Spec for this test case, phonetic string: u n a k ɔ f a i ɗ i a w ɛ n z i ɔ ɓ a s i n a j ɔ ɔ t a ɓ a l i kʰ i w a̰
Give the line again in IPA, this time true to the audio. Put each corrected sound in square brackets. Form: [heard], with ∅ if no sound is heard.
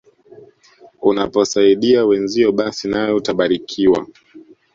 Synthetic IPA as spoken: u n a [p] ɔ [s] a i ɗ i a w ɛ n z i ɔ ɓ a s i n a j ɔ [u] t a ɓ a [ɾ] i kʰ i w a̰